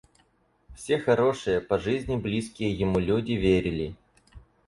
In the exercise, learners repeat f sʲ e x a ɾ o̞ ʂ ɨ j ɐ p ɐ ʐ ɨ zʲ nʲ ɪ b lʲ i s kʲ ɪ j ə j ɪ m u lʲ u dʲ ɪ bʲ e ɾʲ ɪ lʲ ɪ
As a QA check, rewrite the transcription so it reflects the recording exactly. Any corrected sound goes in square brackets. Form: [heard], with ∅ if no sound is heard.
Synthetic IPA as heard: f sʲ e x [ɐ] ɾ o̞ ʂ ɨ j [ə] p ɐ ʐ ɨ zʲ nʲ ɪ b lʲ i s kʲ ɪ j ə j ɪ m u lʲ u dʲ ɪ [vʲ] e ɾʲ ɪ lʲ ɪ